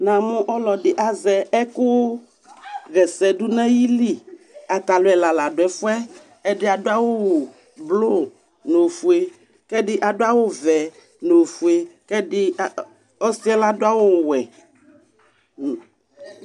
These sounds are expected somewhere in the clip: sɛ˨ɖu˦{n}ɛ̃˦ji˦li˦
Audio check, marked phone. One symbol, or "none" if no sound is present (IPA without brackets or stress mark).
n